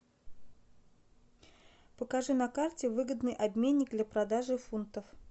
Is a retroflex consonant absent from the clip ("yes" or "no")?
no